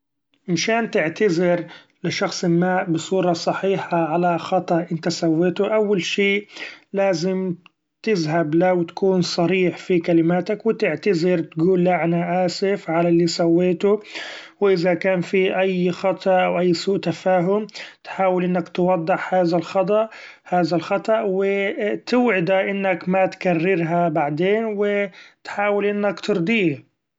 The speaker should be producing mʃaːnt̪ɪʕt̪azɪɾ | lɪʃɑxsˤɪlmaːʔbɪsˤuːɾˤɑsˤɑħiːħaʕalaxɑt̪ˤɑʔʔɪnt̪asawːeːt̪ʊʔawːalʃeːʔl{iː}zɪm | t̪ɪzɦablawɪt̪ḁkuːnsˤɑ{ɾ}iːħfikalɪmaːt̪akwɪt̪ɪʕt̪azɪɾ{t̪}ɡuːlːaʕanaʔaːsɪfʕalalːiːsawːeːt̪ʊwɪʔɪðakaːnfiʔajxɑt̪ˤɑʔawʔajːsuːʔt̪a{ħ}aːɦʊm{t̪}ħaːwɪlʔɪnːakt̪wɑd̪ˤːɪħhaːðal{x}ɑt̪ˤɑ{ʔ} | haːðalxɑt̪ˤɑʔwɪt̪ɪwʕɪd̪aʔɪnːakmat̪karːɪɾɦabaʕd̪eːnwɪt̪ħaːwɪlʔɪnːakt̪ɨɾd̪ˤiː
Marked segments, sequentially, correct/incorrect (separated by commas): incorrect, correct, correct, incorrect, correct, correct, correct